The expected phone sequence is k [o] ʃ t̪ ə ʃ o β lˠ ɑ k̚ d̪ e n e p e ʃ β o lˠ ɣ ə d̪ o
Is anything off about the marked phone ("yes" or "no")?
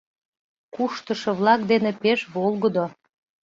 yes